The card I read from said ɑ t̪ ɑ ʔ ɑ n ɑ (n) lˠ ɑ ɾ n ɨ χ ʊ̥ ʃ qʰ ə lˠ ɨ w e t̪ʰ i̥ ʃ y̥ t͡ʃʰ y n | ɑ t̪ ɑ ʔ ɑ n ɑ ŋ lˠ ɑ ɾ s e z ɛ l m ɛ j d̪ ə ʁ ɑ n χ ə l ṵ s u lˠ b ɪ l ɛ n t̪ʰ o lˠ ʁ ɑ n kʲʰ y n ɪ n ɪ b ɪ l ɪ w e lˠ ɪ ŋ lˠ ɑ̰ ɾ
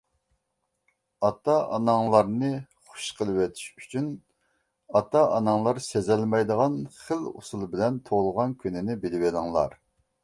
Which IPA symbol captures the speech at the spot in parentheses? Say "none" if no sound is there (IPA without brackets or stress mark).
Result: ŋ